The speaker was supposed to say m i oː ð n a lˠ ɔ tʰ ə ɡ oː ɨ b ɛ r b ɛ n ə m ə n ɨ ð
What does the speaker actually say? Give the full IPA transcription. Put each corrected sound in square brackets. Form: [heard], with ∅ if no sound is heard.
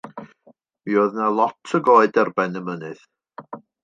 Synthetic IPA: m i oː ð n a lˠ ɔ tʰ ə ɡ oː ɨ [d] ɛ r b ɛ n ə m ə n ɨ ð